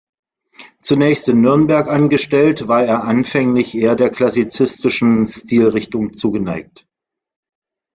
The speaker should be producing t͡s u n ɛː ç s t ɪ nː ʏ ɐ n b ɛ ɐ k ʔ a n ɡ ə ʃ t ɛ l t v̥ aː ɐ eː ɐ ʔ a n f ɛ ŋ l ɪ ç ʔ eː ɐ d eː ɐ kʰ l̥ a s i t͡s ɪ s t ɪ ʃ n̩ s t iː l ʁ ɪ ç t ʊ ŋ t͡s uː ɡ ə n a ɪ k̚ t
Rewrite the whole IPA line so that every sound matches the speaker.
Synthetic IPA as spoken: t͡s u n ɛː ç s t ɪ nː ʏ ɐ n b ɛ ɐ k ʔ a n ɡ ə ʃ t ɛ l t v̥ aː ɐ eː ɐ ʔ a n f ɛ ŋ l ɪ ç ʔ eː ɐ d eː ɐ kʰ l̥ a s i t͡s ɪ s t ɪ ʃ n̩ s t iː l ʁ ɪ ç t ʊ ŋ t͡s uː ɡ ə n a ɪ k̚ t